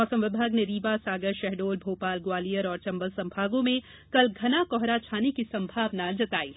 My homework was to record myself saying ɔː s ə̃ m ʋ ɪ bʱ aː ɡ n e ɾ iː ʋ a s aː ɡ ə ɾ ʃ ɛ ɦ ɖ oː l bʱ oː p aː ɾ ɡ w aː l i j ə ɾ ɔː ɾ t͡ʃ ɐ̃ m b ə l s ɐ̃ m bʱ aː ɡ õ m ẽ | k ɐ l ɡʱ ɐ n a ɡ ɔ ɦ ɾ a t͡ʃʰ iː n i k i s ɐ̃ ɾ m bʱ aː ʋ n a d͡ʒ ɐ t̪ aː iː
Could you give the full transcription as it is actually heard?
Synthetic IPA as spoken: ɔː s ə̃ m ʋ ɪ bʱ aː ɡ n e ɾ iː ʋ a s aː ɡ ə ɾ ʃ ɛ ɦ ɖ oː l bʱ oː p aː l ɡ w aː l i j ə ɾ ɔː ɾ t͡ʃ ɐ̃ m b ə l s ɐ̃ m bʱ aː ɡ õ m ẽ | k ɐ l ɡʱ ɐ n a k ɔ ɦ ɾ a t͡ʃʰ aː n i k i s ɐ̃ m bʱ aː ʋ n a d͡ʒ ɐ t̪ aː iː